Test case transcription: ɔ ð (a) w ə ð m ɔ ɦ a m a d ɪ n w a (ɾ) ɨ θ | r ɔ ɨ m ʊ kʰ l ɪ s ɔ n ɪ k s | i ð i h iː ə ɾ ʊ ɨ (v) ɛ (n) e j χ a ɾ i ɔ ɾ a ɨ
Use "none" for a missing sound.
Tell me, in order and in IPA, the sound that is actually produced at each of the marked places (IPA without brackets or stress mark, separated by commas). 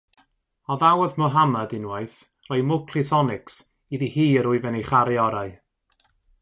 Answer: a, none, v, n